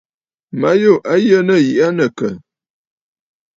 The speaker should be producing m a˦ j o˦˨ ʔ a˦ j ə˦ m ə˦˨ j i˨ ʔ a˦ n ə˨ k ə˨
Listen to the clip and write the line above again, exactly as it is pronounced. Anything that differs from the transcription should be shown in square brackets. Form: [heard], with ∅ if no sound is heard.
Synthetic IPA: m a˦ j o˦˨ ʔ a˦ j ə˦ [n] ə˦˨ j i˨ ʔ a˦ n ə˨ k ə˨